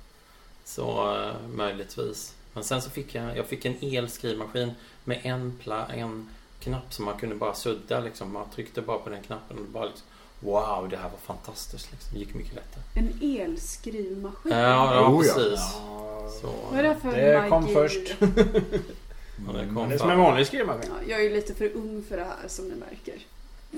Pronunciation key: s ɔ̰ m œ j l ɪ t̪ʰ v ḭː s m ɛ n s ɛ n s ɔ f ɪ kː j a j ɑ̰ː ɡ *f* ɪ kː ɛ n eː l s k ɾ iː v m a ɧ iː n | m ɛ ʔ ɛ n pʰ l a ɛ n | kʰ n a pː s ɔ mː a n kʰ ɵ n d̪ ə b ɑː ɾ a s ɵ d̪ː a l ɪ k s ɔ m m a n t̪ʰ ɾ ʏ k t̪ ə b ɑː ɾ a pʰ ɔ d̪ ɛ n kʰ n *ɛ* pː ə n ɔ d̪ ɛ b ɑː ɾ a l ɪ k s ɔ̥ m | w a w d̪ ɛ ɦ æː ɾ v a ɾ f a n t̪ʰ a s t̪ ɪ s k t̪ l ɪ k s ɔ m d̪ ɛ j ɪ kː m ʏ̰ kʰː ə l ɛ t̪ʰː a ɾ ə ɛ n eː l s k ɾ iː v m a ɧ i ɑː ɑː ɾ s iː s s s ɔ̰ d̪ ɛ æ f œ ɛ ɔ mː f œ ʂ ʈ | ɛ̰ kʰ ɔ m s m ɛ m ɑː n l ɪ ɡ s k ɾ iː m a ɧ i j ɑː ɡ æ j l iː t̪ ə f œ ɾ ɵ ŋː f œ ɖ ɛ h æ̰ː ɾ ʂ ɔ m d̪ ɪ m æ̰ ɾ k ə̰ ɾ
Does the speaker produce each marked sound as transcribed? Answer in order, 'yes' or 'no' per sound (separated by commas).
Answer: yes, no